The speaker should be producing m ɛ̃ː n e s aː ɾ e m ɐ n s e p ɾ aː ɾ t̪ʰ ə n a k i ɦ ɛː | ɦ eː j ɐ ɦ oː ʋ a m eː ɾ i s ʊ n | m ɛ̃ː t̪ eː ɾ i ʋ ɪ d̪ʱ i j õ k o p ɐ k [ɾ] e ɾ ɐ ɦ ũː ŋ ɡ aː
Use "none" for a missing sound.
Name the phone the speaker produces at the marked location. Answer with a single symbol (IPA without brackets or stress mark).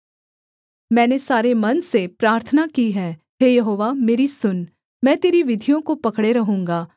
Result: ɽ